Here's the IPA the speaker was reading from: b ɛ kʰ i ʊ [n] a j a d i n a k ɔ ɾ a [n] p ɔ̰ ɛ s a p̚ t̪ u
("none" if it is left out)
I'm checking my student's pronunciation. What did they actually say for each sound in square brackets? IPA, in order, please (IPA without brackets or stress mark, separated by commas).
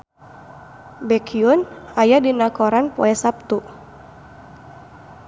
n, n